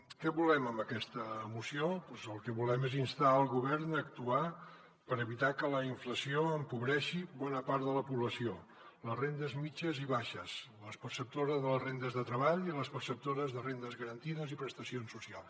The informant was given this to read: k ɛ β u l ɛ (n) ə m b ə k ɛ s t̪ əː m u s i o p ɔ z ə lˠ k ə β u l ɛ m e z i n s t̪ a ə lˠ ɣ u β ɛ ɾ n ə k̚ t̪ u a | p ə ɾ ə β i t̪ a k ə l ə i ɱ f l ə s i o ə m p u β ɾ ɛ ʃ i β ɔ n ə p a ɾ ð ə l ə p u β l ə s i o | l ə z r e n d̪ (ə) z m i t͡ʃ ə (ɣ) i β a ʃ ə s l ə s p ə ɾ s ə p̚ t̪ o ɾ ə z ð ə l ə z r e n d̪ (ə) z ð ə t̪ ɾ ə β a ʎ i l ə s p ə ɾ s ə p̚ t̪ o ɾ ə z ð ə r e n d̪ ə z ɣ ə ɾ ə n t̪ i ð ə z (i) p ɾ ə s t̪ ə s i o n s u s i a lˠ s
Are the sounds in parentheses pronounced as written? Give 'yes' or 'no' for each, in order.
no, yes, no, yes, yes

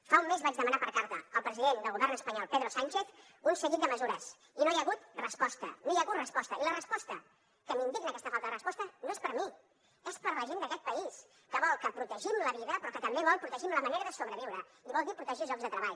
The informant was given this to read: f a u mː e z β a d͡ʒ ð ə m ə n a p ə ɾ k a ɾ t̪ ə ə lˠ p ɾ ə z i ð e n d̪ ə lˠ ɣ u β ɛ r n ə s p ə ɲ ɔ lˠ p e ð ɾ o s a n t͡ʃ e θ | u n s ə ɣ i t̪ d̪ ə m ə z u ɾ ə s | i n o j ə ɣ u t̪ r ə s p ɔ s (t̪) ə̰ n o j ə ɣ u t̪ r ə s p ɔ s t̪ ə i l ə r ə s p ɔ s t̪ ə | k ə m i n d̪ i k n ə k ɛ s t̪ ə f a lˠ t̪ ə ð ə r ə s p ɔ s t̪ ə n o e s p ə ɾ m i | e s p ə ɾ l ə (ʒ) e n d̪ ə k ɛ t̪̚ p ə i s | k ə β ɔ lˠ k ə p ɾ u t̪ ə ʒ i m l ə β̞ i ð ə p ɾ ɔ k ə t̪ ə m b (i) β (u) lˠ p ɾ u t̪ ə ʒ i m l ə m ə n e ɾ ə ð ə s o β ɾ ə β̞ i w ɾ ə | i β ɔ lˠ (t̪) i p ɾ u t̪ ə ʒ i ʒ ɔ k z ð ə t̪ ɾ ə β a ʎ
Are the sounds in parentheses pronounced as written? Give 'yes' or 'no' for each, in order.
yes, yes, no, no, no

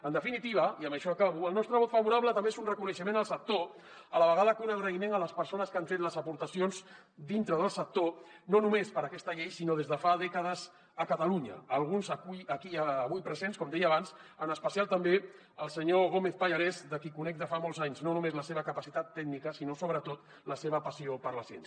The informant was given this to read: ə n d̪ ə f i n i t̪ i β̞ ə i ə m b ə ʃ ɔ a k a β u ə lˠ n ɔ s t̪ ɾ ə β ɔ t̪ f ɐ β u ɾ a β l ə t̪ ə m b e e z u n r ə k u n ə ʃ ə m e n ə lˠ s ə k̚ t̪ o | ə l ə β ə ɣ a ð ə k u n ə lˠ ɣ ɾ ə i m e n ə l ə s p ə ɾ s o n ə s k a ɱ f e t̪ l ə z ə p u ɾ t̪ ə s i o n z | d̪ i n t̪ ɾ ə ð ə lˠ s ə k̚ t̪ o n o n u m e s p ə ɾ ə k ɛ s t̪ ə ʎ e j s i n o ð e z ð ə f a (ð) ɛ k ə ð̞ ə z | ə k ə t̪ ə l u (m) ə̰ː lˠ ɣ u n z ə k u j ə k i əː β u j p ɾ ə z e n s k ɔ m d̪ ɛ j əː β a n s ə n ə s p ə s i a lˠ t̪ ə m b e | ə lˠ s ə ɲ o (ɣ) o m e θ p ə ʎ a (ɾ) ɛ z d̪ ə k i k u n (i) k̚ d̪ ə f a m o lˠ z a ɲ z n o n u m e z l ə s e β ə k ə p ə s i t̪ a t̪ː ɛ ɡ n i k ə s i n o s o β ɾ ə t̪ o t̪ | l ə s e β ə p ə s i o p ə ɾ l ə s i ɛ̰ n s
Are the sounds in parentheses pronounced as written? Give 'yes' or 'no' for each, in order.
yes, no, yes, yes, no

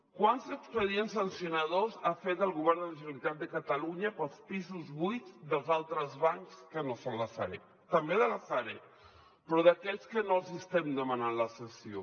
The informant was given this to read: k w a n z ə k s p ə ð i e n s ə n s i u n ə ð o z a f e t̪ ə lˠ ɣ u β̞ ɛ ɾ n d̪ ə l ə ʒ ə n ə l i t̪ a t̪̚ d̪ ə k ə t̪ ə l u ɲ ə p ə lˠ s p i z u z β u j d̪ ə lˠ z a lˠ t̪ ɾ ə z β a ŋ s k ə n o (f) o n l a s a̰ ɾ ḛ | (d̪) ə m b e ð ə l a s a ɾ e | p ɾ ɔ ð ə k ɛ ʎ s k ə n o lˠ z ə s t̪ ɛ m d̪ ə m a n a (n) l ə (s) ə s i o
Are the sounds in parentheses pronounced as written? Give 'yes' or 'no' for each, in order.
no, no, yes, yes

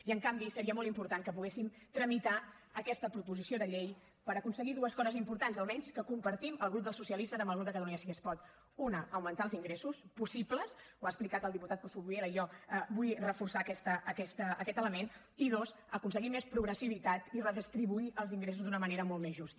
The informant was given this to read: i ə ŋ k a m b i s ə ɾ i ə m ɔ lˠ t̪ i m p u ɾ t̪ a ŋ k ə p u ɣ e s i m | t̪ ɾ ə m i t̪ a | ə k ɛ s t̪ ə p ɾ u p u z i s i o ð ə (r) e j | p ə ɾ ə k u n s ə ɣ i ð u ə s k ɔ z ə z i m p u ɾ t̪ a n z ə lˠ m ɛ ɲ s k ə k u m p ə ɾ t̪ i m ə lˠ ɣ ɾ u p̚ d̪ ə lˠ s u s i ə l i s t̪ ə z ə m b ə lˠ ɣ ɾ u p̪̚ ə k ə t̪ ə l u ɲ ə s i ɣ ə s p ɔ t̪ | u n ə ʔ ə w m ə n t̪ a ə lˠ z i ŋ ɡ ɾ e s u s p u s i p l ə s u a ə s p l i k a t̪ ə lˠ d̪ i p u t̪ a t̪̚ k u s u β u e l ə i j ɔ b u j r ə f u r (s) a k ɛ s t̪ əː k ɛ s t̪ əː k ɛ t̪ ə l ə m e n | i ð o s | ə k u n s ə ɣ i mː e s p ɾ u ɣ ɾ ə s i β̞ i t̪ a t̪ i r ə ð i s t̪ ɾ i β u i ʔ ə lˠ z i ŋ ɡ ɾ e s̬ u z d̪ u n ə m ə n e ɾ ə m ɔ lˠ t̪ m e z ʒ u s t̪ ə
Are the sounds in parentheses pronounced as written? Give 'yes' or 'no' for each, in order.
no, yes

